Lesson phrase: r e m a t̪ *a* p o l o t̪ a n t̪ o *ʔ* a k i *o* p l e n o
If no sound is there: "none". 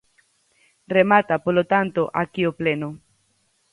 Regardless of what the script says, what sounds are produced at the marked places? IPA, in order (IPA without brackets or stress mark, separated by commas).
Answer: a, ʔ, o